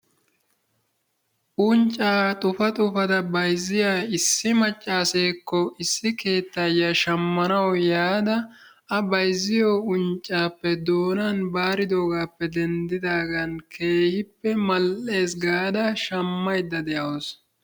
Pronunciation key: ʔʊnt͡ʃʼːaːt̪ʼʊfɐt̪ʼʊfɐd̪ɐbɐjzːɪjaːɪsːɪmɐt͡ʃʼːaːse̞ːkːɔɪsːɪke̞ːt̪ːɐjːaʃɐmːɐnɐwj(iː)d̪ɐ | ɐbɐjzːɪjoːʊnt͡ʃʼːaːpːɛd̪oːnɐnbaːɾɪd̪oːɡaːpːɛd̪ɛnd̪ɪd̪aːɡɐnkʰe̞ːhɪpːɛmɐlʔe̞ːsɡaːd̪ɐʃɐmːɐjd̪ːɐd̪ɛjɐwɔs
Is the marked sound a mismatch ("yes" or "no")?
yes